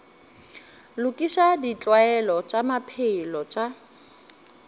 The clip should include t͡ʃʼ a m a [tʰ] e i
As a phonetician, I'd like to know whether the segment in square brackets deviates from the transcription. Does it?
yes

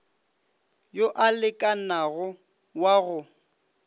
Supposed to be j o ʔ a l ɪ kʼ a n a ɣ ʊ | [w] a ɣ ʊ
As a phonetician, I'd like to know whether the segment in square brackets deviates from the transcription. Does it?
no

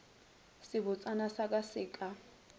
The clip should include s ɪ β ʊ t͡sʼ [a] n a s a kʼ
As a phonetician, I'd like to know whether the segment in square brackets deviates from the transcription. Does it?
no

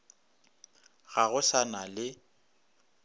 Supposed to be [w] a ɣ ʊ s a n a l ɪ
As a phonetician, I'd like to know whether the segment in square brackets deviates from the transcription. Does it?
yes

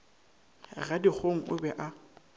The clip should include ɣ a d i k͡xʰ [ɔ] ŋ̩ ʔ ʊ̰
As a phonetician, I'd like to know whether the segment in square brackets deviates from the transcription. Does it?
yes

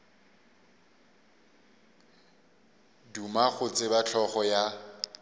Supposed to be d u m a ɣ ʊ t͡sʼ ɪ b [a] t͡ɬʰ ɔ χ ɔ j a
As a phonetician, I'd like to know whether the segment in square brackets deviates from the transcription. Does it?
no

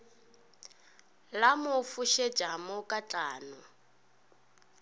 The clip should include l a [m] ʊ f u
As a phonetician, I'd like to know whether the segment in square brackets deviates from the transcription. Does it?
no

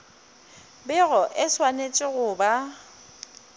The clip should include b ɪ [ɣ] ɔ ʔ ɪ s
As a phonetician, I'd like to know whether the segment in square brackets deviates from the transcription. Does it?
no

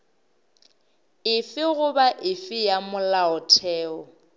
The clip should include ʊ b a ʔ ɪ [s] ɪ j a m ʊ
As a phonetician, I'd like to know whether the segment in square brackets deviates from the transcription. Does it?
yes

